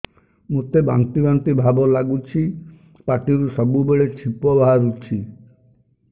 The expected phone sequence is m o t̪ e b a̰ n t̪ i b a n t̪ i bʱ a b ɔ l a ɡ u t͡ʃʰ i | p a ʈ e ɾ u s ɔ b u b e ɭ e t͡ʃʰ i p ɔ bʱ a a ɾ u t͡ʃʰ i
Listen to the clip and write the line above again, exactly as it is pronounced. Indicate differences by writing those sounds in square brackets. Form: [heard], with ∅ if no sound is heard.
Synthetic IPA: m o t̪ e b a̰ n t̪ i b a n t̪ i bʱ a b ɔ l a ɡ u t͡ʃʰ i | p a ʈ [i] ɾ u s ɔ b u b e ɭ e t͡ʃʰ i p ɔ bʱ a a ɾ u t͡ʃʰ i